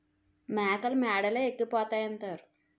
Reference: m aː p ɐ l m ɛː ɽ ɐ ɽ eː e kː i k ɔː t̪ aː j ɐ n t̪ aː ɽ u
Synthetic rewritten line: m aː k ɐ l m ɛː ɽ ɐ l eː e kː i p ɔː t̪ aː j ɐ n t̪ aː ɾ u